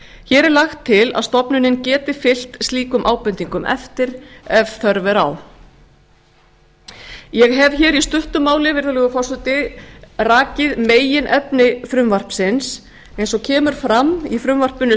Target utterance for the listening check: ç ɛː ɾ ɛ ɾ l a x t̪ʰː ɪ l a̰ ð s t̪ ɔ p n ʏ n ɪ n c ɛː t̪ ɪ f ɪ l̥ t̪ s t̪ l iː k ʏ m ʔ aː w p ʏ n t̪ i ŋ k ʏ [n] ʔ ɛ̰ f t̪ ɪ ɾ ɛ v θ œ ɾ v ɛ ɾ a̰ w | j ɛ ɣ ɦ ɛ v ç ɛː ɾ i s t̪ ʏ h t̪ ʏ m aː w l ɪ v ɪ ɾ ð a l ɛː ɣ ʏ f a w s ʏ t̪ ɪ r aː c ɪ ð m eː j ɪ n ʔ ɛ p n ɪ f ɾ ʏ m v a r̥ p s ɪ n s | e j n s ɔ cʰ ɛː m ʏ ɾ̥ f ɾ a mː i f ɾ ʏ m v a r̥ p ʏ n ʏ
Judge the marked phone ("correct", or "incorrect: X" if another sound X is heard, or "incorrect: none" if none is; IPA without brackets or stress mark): incorrect: m